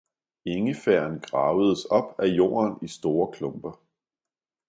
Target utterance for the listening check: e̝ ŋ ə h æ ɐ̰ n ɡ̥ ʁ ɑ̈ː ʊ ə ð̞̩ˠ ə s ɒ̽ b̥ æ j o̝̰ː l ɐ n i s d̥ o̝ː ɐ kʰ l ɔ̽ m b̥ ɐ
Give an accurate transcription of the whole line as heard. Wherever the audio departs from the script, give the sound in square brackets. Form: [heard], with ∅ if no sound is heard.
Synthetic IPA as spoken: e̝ ŋ ə [f] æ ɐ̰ n ɡ̥ ʁ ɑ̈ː ʊ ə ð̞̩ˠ ə s ɒ̽ b̥ æ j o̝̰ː [∅] ɐ n i s d̥ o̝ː ɐ kʰ l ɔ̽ m b̥ ɐ